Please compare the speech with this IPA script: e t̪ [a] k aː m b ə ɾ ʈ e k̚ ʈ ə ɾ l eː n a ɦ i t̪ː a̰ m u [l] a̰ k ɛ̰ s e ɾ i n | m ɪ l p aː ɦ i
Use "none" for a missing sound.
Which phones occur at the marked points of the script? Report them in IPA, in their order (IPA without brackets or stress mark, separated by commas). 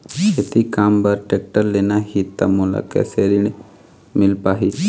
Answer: i, l